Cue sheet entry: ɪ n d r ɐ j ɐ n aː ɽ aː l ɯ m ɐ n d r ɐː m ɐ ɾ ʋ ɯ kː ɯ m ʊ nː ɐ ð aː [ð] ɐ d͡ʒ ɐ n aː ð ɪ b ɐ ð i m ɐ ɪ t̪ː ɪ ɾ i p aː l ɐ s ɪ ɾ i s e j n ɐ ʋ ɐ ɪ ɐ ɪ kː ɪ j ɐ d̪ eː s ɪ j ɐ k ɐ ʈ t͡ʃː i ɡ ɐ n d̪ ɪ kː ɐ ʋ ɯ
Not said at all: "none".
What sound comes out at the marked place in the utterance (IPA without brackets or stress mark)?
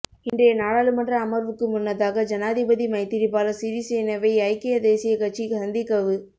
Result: ɣ